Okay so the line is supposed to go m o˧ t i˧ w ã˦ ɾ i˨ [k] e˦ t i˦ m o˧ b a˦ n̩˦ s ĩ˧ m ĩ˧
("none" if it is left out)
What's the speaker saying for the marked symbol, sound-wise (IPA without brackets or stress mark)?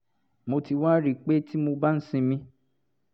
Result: k͡p